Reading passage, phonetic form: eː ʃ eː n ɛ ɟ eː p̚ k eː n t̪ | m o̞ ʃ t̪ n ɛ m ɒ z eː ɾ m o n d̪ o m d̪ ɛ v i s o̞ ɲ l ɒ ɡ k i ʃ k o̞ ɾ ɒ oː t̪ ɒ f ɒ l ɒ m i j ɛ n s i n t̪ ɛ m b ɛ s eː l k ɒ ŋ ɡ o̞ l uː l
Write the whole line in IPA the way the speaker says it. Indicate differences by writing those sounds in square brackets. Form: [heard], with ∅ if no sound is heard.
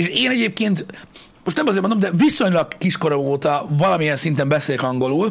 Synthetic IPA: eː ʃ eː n ɛ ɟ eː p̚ k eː n t̪ | m o̞ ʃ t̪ n ɛ m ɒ z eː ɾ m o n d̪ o m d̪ ɛ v i s o̞ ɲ l ɒ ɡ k i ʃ k o̞ ɾ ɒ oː t̪ ɒ [v] ɒ l ɒ m i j ɛ n s i n t̪ ɛ m b ɛ s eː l k ɒ ŋ ɡ o̞ l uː l